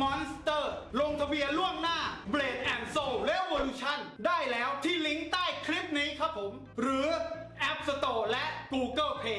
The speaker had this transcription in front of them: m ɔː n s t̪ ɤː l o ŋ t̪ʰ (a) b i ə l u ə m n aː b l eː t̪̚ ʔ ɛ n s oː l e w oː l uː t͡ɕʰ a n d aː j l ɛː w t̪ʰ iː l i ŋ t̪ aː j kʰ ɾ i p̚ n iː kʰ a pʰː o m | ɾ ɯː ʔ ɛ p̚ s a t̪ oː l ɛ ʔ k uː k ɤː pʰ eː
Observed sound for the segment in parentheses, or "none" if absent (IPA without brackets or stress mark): a